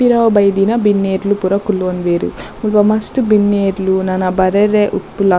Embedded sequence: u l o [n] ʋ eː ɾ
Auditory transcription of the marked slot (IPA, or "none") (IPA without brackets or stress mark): n